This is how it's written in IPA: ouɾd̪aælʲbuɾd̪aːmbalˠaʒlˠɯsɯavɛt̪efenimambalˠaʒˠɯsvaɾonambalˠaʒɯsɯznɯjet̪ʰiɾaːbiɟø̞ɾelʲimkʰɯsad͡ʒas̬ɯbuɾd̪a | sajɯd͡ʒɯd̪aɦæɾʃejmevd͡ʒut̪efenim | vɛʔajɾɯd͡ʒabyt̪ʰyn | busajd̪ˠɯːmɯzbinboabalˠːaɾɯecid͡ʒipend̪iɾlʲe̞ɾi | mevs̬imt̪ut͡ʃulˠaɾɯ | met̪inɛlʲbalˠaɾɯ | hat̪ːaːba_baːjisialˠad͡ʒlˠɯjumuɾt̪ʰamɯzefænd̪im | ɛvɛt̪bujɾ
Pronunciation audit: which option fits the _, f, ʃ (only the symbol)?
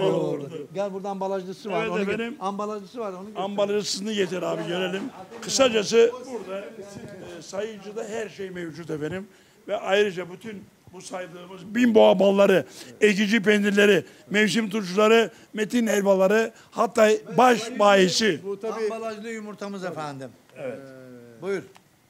ʃ